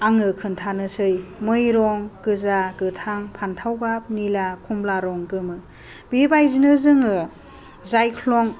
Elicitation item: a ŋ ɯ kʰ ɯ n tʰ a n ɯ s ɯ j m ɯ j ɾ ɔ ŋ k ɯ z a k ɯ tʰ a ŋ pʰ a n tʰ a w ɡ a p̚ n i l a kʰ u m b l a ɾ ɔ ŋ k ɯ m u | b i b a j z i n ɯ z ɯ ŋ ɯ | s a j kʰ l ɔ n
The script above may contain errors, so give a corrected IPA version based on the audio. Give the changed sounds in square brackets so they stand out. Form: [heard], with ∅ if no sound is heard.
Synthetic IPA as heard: a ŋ ɯ kʰ ɯ n tʰ a n ɯ s ɯ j m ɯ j ɾ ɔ ŋ k ɯ z a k ɯ tʰ a ŋ pʰ a n tʰ a w ɡ a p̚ n i l a kʰ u m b l a ɾ ɔ ŋ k ɯ m [ɯ] | b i b a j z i n ɯ z ɯ ŋ ɯ | [z] a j kʰ l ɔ [ŋ]